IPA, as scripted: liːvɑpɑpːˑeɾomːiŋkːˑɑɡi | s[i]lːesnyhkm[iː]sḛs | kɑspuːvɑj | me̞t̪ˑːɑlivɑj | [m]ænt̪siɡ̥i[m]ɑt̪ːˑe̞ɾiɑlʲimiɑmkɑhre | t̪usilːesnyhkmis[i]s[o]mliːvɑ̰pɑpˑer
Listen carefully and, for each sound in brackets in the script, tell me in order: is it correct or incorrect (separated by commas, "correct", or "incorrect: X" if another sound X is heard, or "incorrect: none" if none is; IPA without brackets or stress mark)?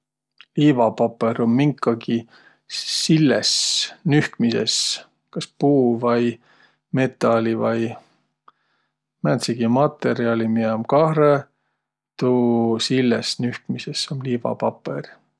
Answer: correct, incorrect: i, correct, correct, incorrect: e, correct